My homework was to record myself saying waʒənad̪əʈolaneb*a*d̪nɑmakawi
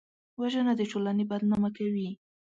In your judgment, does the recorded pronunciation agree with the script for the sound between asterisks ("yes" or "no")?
yes